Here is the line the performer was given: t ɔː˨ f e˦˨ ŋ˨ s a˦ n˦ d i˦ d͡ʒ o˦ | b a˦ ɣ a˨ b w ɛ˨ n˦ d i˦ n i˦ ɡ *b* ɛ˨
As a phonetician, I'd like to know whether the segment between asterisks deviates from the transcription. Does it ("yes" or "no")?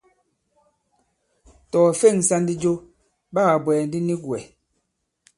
yes